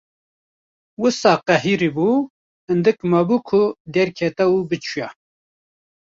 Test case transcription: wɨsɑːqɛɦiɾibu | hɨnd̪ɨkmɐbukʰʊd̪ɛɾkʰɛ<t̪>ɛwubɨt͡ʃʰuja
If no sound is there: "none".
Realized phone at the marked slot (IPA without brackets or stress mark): t̪